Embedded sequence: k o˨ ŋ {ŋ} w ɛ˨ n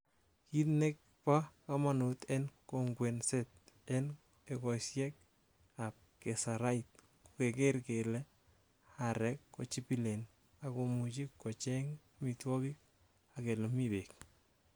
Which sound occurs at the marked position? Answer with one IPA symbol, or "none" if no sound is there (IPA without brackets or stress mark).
ɡ